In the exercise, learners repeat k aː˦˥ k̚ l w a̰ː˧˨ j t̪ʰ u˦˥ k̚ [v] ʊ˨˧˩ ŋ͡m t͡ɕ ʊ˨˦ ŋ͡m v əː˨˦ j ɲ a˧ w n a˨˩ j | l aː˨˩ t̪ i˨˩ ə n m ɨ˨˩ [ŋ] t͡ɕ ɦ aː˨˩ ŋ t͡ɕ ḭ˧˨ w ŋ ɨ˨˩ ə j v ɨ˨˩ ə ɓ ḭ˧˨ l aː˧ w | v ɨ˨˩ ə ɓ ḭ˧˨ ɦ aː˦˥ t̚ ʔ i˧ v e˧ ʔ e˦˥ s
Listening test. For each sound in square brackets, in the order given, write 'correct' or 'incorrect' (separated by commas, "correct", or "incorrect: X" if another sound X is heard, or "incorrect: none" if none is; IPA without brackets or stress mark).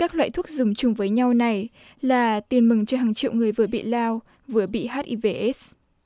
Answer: incorrect: z, correct